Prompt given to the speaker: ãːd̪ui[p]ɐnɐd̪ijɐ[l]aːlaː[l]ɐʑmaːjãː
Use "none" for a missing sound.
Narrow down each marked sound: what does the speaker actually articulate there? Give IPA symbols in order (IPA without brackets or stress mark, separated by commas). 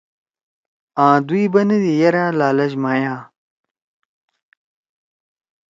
b, ɾ, l